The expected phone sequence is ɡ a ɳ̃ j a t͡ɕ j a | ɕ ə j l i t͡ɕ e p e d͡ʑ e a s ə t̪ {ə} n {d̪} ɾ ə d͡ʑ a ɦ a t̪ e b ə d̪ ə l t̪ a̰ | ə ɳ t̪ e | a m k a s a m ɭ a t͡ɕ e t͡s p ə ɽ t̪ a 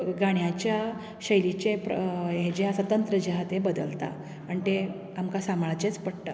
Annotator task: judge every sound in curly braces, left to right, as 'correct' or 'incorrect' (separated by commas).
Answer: correct, incorrect